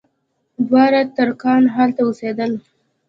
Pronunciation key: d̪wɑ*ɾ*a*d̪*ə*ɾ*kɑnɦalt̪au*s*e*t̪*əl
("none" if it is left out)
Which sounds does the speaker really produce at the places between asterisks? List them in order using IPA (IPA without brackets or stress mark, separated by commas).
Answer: ɾ, t̪, ɾ, s, d̪